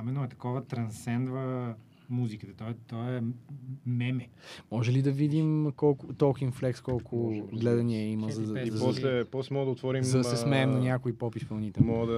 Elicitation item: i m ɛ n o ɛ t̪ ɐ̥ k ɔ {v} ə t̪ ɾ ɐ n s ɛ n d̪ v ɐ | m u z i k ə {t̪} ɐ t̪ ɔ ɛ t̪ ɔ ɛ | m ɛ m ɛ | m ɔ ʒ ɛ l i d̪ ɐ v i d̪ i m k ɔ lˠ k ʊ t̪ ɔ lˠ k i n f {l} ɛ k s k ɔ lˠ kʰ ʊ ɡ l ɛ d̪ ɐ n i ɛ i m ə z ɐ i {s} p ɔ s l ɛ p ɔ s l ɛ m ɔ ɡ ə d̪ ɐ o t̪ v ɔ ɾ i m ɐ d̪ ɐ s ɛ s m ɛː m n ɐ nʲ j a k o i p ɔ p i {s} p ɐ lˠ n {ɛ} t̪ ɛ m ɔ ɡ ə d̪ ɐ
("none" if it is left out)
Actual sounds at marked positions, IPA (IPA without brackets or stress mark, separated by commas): v, t̪, l, z, s, i